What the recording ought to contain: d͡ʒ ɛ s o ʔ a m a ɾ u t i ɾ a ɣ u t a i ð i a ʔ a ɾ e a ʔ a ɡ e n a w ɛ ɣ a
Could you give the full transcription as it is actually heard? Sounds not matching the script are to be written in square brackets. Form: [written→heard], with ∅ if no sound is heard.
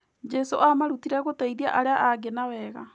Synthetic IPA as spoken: d͡ʒ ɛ s o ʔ a m a ɾ u t i ɾ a ɣ [u→o] t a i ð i a ʔ a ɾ e a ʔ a ɡ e n a w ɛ ɣ a